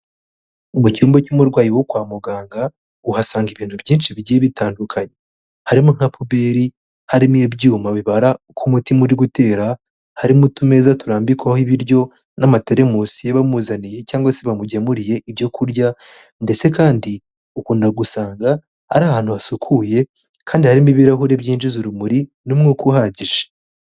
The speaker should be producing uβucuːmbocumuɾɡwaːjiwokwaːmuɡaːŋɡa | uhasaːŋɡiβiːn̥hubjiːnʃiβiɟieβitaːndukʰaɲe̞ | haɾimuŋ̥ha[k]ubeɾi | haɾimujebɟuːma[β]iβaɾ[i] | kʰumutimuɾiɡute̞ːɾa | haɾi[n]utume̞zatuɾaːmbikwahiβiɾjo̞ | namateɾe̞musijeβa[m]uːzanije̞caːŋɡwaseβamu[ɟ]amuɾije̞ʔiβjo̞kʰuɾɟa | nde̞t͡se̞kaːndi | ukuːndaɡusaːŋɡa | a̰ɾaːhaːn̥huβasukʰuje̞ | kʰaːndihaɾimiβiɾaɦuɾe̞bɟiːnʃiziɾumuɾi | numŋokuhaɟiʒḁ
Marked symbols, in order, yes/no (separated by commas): no, yes, no, no, yes, yes